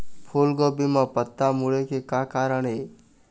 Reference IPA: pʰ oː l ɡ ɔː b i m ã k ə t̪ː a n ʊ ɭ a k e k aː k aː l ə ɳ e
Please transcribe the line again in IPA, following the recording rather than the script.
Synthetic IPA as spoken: pʰ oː l ɡ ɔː b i m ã p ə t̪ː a m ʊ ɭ e k e k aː k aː ɾ ə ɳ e